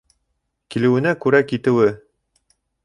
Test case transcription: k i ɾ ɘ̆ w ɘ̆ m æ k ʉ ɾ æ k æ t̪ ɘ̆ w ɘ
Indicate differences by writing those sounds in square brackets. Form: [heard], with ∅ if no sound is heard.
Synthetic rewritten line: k i [l] ɘ̆ w ɘ̆ [n] æ k ʉ ɾ æ k [i] t̪ ɘ̆ w ɘ